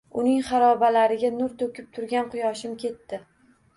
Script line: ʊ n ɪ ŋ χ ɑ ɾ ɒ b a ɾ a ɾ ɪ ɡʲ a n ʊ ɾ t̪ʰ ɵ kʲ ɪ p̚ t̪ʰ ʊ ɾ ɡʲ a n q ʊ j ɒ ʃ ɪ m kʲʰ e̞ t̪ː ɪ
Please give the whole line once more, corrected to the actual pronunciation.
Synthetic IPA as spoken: ʊ n ɪ ŋ χ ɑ ɾ ɒ b a l a ɾ ɪ ɡʲ a n ʊ ɾ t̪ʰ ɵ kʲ ɪ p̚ t̪ʰ ʊ ɾ ɡʲ a n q ʊ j ɒ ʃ ɪ m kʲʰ e̞ t̪ː ɪ

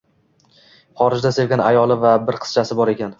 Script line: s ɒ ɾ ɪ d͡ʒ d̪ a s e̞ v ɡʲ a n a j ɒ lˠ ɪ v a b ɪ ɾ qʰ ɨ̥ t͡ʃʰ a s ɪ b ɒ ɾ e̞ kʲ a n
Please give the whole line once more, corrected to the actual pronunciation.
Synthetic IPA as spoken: χ ɒ ɾ ɪ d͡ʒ d̪ a s e̞ v ɡʲ a n a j ɒ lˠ ɪ v a b ɪ ɾ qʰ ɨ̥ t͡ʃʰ a s ɪ b ɒ ɾ e̞ kʲ a n

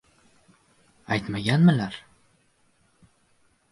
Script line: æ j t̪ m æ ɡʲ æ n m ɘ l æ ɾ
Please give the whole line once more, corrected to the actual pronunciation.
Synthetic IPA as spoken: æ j t̪ m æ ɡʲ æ n m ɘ l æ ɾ

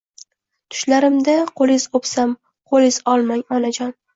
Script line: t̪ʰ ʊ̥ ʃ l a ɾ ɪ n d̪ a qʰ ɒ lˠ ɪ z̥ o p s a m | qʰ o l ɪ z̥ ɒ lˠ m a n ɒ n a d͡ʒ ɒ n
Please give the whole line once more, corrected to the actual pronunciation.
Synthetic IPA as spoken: t̪ʰ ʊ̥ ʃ l a ɾ ɪ m d̪ a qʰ o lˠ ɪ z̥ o p s a m | qʰ o l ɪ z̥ ɒ lˠ m a ŋ ɒ n a d͡ʒ ɒ n

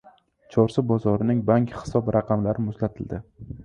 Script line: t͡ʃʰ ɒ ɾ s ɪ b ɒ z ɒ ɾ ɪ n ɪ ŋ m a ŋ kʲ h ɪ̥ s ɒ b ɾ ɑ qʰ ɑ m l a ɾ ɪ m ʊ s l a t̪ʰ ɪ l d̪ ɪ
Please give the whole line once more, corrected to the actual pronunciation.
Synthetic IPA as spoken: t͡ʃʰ ɒ ɾ s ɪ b ɒ z ɒ ɾ ɪ n ɪ ŋ b a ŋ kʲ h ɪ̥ s ɒ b ɾ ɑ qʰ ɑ m l a ɾ ɪ m ʊ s l a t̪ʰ ɪ l d̪ ɪ

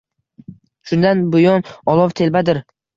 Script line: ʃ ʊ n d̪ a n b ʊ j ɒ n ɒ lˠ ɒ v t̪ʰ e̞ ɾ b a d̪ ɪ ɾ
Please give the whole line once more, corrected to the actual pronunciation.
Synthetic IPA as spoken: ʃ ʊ n d̪ a n b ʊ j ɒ n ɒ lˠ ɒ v t̪ʰ e̞ l b a d̪ ɪ ɾ

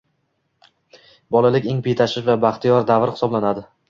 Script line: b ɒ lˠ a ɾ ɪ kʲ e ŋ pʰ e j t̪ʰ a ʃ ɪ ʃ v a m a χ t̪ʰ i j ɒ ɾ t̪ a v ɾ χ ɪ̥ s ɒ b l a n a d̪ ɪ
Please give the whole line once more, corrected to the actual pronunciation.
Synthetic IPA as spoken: b ɒ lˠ a l ɪ kʲ e ŋ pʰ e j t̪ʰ a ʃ ɪ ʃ v a b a χ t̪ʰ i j ɒ ɾ d̪ a v ɾ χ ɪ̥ s ɒ b l a n a d̪ ɪ

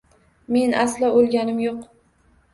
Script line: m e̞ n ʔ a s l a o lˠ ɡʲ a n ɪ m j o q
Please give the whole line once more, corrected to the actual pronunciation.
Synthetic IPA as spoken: m e̞ n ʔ a s l a o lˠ ɡʲ a n ɪ m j o q

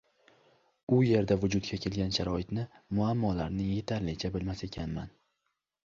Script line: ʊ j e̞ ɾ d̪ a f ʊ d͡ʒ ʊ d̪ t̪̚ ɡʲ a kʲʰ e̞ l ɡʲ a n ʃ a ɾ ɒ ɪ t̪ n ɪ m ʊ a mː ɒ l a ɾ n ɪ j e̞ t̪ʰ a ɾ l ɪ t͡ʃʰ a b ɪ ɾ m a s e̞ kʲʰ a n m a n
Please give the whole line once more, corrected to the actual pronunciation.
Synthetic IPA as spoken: ʊ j e̞ ɾ d̪ a v ʊ d͡ʒ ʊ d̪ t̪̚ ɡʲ a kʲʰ e̞ l ɡʲ a n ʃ a ɾ ɒ ɪ t̪ n ɪ m ʊ a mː ɒ l a ɾ n ɪ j e̞ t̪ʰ a ɾ l ɪ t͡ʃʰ a b ɪ l m a s e̞ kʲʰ a n m a n

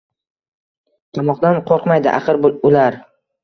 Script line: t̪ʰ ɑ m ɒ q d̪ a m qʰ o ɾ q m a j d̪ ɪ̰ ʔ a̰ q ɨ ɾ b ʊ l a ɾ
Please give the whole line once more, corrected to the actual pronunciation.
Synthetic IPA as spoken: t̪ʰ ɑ m ɒ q d̪ a n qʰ o ɾ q m a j d̪ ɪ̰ ʔ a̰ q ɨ ɾ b ʊ l a ɾ

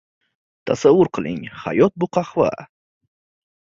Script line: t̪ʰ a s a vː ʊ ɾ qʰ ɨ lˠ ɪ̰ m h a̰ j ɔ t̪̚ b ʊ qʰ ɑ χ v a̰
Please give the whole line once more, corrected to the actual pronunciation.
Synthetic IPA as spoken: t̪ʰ a s a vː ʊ ɾ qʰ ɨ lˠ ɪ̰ ŋ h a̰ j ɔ t̪̚ b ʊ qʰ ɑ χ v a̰

